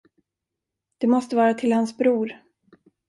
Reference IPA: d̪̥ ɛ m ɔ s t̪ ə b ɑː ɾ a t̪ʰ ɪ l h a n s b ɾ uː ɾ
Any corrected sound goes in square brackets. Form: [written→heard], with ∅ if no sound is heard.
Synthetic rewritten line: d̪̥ ɛ m ɔ s t̪ ə [b→v] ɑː ɾ a t̪ʰ ɪ l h a n s b ɾ uː ɾ